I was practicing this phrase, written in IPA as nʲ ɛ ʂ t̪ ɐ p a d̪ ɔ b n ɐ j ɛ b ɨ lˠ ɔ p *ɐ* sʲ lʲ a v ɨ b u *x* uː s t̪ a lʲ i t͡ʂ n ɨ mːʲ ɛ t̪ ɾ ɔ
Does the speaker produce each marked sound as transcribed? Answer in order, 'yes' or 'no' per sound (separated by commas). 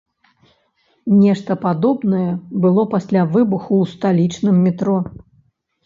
no, yes